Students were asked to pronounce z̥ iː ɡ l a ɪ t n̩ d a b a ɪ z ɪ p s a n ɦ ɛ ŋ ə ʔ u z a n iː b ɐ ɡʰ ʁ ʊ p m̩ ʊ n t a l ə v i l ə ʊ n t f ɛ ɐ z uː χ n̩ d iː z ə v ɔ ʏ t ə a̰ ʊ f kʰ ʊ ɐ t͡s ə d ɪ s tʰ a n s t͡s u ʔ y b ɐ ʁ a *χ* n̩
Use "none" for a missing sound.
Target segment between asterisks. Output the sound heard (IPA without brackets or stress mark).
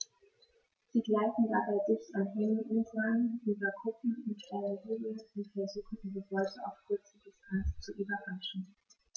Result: ʃ